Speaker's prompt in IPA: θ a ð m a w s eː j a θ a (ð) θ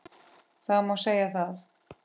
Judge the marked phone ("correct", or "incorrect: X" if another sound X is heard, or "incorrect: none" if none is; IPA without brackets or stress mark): incorrect: none